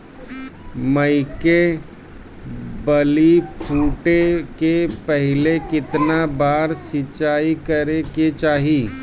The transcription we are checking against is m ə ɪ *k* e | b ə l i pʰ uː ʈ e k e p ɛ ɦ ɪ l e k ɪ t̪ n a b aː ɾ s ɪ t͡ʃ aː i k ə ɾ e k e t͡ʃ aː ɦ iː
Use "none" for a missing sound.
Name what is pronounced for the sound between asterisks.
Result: k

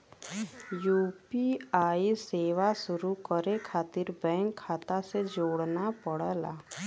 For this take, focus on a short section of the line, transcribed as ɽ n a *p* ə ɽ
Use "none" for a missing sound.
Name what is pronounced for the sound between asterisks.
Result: p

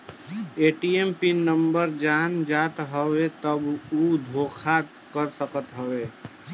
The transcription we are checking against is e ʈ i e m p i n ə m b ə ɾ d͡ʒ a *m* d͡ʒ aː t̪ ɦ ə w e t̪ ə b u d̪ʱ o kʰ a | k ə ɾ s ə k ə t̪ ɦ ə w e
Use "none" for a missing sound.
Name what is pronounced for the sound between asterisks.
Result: n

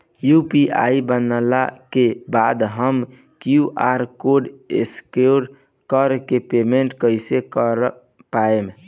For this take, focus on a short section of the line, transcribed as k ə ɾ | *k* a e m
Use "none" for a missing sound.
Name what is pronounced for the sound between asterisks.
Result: p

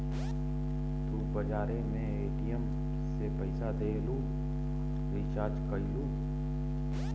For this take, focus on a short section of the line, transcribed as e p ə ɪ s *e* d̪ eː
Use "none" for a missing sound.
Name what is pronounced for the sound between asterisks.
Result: a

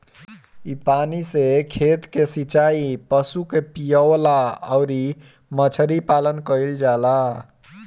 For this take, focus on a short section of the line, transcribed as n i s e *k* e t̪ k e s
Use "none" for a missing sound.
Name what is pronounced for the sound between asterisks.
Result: kʰ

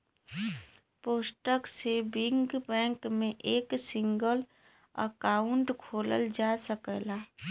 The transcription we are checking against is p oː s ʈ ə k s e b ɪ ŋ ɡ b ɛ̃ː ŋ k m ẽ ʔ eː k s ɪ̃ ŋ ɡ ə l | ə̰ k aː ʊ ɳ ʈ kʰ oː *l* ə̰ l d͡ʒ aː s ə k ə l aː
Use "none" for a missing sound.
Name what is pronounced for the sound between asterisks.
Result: l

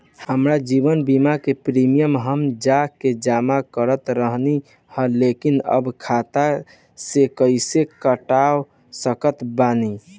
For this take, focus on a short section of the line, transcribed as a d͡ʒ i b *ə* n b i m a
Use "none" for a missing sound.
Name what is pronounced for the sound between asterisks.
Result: ə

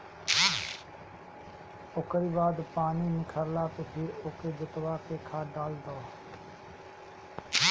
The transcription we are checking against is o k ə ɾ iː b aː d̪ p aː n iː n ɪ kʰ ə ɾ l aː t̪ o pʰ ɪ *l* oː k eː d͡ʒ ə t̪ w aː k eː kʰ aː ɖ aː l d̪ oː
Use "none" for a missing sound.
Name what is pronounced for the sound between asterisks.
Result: ɾ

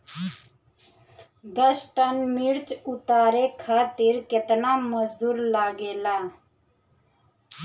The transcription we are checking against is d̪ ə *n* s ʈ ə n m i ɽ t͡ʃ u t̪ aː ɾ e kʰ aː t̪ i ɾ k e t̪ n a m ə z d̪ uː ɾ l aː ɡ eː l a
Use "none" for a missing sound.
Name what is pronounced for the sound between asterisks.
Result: none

